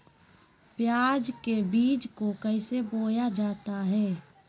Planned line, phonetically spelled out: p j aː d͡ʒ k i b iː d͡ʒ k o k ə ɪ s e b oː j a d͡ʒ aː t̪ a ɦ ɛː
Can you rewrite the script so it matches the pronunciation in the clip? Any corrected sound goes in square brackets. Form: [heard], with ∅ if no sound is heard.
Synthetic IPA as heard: p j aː d͡ʒ k [e] b iː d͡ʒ k o k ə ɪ s e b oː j a d͡ʒ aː t̪ a ɦ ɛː